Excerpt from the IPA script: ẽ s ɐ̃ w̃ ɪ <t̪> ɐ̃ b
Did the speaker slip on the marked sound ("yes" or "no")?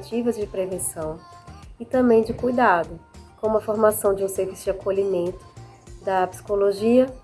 no